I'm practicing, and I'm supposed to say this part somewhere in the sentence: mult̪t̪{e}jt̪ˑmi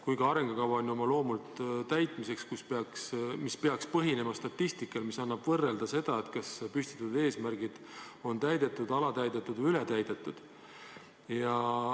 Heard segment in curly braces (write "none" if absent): æ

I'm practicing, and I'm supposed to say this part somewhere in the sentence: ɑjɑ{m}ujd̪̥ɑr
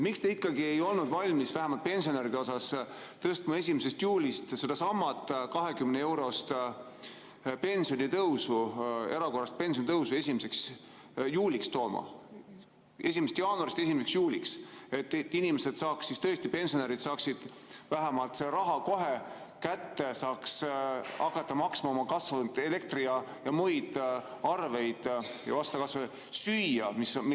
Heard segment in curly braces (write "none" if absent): m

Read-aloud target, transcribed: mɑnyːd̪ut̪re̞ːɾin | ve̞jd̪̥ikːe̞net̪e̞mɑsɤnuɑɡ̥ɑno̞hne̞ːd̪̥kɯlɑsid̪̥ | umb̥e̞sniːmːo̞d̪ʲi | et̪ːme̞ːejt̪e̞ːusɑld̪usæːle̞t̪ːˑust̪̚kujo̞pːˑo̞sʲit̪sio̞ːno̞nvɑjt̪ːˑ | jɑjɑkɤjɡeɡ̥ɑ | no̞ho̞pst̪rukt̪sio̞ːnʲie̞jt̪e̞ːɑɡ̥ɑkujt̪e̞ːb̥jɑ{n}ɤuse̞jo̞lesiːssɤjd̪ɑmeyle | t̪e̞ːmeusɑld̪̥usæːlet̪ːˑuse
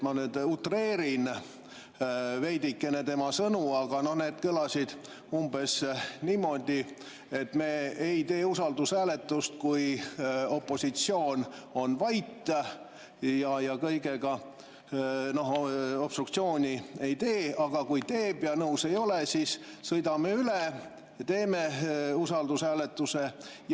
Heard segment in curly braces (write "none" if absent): n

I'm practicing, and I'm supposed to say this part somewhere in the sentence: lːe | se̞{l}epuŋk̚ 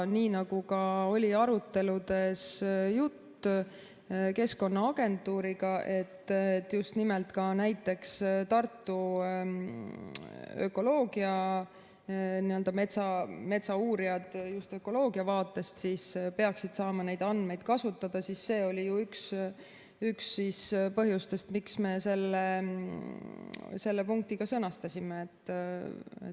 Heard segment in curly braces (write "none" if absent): lː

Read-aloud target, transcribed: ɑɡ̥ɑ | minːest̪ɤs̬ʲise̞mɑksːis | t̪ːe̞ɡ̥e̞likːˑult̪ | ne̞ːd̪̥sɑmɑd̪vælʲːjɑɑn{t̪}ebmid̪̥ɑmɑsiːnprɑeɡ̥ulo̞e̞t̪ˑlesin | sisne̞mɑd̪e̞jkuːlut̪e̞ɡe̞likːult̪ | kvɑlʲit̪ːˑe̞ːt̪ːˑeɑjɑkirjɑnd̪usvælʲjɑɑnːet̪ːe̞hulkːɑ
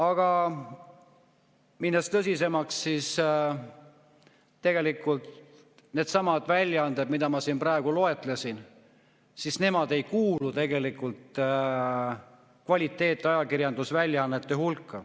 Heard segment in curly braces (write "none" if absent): d̪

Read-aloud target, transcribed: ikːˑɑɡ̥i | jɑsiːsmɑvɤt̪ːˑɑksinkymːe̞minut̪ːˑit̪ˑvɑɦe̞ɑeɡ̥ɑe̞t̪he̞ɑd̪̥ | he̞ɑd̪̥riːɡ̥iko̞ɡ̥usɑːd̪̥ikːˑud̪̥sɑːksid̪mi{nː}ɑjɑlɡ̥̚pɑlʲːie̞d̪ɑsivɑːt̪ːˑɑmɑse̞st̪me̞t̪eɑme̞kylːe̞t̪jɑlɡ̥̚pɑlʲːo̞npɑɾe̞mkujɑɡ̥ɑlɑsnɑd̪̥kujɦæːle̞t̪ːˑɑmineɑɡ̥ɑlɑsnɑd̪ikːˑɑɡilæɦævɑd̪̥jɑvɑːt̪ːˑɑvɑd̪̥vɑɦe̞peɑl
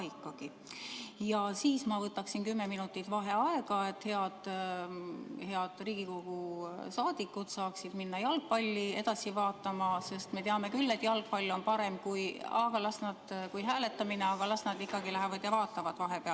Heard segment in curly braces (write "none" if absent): nː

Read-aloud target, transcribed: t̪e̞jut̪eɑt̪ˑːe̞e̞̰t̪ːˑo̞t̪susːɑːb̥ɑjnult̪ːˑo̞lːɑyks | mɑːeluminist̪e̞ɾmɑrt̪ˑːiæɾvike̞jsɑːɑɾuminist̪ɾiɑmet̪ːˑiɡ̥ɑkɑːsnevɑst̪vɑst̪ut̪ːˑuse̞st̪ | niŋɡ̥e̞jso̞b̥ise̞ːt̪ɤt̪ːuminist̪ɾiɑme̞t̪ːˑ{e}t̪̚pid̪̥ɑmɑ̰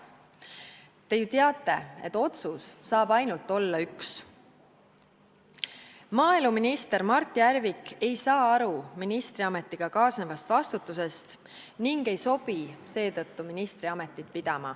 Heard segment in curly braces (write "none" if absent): i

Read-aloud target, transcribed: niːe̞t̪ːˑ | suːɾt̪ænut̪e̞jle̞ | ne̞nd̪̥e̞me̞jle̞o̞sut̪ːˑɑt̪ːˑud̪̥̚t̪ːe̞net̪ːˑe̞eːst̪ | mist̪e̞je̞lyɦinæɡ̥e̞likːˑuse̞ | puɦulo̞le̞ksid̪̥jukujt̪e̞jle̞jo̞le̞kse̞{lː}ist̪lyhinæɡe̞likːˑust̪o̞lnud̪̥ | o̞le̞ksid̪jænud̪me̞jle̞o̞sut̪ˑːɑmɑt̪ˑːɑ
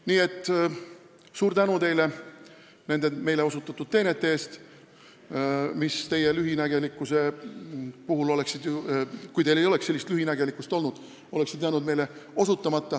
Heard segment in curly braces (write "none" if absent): lː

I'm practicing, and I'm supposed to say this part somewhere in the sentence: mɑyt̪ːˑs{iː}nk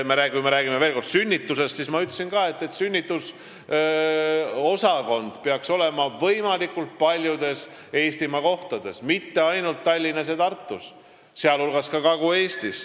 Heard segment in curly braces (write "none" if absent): i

